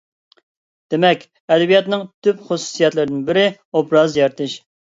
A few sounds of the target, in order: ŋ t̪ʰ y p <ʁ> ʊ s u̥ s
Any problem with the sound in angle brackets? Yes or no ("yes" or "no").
yes